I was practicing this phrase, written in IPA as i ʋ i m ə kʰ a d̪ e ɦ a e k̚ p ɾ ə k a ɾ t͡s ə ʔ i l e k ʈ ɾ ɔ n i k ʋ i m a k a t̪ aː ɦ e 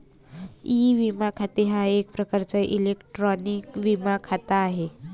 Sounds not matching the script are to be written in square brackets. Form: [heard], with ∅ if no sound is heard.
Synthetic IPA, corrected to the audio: i ʋ i m [a] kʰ a [t̪] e ɦ a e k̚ p ɾ ə k a ɾ t͡s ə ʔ i l e k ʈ ɾ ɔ n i k ʋ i m a [kʰ] a t̪ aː ɦ e